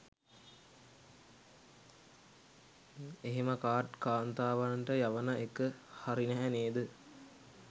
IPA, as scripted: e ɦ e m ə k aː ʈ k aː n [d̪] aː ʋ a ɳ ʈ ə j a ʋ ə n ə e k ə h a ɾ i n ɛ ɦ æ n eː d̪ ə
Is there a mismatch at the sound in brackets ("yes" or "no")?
yes